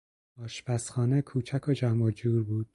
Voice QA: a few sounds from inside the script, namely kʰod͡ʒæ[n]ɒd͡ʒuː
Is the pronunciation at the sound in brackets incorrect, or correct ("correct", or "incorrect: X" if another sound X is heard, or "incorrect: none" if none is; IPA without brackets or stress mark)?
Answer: incorrect: m